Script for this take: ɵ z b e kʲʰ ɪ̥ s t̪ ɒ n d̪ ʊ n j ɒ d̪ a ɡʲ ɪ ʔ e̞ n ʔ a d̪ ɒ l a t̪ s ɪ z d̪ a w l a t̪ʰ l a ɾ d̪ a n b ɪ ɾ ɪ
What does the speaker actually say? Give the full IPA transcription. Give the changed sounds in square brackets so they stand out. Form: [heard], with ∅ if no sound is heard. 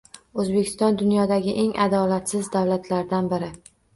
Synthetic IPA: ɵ z b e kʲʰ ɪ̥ s t̪ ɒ n d̪ ʊ n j ɒ d̪ a ɡʲ ɪ ʔ e̞ [ŋ] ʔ a d̪ ɒ l a t̪ s ɪ z d̪ a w l a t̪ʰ l a ɾ d̪ a n b ɪ ɾ ɪ